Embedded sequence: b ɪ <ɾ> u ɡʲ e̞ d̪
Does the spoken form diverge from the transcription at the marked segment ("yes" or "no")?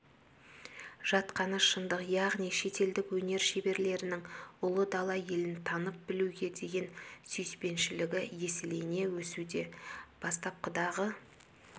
yes